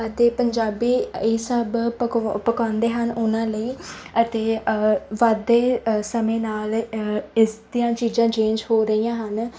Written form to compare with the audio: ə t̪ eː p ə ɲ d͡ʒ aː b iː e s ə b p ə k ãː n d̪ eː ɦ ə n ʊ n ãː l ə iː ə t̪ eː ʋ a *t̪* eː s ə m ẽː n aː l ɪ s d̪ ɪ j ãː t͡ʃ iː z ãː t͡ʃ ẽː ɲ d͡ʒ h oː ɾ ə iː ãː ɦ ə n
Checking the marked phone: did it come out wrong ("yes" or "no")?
yes